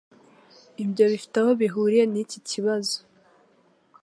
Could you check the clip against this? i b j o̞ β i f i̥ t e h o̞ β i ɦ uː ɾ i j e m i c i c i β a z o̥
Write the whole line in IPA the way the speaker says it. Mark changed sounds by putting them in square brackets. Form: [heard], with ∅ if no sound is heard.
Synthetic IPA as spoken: i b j o̞ β i f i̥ t [a] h o̞ β i ɦ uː ɾ i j e [n] i c i c i β a z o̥